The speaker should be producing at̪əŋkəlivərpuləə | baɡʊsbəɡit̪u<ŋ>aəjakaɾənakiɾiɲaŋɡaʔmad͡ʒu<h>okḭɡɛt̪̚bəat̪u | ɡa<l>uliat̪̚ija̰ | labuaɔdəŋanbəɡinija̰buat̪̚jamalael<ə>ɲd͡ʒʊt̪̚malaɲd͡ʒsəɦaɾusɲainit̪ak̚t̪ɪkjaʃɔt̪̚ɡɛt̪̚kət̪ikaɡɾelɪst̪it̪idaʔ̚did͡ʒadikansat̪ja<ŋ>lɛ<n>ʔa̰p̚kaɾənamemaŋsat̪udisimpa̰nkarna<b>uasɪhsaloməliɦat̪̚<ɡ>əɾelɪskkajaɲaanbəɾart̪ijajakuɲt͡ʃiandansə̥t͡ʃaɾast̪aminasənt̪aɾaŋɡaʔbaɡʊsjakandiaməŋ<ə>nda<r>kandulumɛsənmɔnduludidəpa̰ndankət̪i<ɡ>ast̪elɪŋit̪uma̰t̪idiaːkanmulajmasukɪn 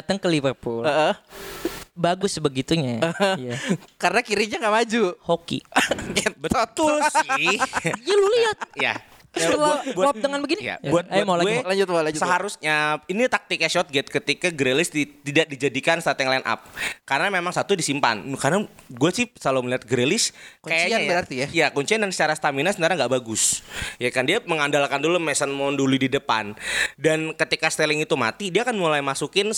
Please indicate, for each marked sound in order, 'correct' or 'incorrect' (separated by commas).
incorrect, correct, correct, incorrect, correct, correct, incorrect, correct, incorrect, incorrect, incorrect